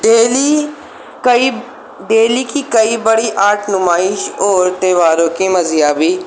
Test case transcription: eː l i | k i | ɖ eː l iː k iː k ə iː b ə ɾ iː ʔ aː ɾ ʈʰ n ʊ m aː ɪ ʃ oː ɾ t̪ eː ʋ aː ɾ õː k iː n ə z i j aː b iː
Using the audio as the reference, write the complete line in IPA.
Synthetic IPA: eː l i | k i | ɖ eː l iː k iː k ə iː b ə ɽ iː ʔ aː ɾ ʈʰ n ʊ m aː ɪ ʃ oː ɾ t̪ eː ʋ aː ɾ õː k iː m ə z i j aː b iː

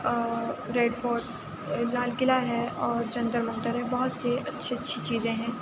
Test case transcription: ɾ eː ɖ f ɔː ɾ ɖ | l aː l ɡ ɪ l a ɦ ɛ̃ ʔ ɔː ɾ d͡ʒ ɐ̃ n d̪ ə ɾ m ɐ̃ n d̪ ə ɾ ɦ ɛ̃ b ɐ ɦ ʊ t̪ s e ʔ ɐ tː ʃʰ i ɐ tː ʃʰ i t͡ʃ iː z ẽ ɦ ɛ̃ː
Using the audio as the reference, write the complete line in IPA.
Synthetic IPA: ɾ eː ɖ f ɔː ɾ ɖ | l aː l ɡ ɪ l a ɦ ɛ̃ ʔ ɔː ɾ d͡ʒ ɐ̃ n d̪ ə ɾ m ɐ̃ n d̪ ə ɾ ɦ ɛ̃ b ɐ ɦ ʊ t̪ s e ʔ ɐ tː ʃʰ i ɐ tː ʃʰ i t͡ʃ iː z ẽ ɦ ɛ̃ː

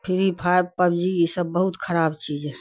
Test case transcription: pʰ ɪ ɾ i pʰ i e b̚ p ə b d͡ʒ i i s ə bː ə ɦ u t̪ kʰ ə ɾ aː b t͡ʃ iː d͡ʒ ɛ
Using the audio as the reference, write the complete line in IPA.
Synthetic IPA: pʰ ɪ ɾ i pʰ a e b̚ p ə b d͡ʒ i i s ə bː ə ɦ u t̪ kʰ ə ɾ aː b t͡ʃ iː d͡ʒ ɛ

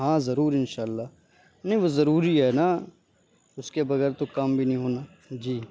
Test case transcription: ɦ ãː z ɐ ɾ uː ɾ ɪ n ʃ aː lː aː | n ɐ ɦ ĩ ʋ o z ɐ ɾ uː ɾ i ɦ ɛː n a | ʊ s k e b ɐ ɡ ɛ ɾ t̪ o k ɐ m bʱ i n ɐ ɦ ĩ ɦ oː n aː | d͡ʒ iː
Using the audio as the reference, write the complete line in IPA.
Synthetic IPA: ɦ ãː z ɐ ɾ uː ɾ ɪ n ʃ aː lː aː | n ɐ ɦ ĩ ʋ o z ɐ ɾ uː ɾ i ɦ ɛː n a | ʊ s k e b ɐ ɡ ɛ ɾ t̪ o k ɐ m bʱ i n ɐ ɦ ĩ ɦ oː n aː | d͡ʒ iː

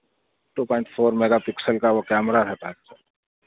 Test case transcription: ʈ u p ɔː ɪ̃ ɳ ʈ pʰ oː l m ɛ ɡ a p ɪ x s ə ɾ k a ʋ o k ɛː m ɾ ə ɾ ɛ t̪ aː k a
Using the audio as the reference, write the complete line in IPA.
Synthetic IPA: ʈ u p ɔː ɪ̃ ɳ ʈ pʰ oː ɾ m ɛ ɡ a p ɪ k s ə l k a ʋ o k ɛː m ɾ a ɾ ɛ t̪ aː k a

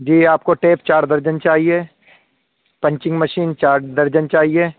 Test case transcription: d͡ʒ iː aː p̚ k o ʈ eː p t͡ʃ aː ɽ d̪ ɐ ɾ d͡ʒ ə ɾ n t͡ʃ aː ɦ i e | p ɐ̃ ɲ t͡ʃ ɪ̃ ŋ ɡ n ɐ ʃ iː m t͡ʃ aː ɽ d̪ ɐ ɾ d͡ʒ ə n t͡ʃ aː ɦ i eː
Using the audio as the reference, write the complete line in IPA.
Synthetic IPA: d͡ʒ iː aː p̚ k o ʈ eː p t͡ʃ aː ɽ d̪ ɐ ɾ d͡ʒ ə n t͡ʃ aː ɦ i e | p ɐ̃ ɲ t͡ʃ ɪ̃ ŋ ɡ m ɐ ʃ iː n t͡ʃ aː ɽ d̪ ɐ ɾ d͡ʒ ə n t͡ʃ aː ɦ i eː

